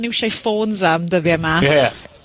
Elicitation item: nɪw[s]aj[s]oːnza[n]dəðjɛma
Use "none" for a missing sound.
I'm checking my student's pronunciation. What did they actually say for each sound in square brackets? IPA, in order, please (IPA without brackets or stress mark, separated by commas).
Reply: ʃ, f, m